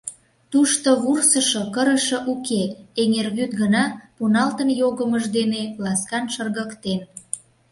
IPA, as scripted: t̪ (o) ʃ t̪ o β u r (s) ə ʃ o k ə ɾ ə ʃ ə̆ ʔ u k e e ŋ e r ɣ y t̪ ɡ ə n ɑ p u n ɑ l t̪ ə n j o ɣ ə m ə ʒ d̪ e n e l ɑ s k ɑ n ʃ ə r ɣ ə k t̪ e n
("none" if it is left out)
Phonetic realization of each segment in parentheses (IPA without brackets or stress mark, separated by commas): u, s